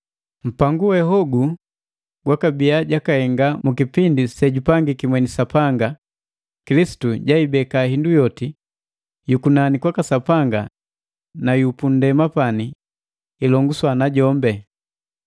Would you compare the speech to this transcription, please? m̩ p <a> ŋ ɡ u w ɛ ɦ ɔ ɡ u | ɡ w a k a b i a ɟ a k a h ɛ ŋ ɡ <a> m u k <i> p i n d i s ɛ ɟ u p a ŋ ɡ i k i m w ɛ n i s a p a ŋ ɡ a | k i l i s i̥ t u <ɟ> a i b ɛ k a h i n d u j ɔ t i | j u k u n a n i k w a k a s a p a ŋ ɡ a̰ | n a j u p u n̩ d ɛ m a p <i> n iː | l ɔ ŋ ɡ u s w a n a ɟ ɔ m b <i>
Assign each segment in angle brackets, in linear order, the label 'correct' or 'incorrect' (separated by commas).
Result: correct, correct, correct, correct, incorrect, incorrect